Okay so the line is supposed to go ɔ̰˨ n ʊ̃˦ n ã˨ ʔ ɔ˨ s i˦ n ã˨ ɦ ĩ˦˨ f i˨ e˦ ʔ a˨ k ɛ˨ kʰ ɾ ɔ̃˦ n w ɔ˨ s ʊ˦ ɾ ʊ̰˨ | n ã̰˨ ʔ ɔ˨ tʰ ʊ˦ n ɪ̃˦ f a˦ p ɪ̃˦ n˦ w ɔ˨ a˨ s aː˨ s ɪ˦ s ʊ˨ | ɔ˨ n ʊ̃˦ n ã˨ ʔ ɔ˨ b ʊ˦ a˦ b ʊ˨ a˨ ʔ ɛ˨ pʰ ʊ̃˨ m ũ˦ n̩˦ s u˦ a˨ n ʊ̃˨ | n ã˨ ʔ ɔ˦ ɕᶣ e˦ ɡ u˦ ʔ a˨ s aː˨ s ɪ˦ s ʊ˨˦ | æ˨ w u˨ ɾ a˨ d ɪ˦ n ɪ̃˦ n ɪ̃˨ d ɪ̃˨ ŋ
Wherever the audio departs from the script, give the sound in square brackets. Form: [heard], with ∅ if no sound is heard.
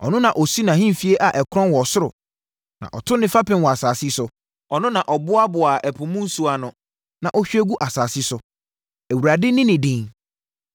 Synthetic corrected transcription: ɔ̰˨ n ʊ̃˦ n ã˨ ʔ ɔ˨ s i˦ n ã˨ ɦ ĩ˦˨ f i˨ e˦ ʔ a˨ [ʔ] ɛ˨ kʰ ɾ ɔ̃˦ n w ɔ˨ s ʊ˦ ɾ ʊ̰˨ | n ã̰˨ ʔ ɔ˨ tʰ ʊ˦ n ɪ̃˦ f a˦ p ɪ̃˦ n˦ w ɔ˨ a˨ s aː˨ s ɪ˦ s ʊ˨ | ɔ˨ n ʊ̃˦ n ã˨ ʔ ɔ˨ b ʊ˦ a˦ b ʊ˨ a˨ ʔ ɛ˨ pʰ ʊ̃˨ m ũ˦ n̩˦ s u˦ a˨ n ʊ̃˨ | n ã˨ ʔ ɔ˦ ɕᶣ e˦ ɡ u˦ ʔ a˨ s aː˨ s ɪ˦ s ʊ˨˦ | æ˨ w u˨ ɾ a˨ d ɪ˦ n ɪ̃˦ n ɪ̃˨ d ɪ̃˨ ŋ